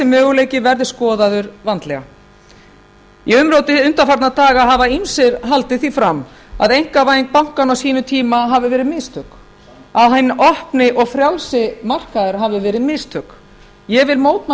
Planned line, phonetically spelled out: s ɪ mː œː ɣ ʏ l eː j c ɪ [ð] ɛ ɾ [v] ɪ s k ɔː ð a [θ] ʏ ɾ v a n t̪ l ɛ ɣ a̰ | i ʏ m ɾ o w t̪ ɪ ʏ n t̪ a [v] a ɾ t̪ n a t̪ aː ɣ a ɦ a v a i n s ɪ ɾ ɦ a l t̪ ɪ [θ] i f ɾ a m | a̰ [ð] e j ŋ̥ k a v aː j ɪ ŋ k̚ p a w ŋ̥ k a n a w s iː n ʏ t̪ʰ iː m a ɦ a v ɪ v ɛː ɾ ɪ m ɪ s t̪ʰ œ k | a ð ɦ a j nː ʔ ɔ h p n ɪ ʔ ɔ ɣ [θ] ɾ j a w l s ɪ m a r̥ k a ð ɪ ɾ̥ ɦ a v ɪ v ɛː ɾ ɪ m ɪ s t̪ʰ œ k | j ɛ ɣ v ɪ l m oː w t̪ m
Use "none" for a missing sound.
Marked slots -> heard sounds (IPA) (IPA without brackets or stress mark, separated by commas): v, ð, ð, f, θ, ð, f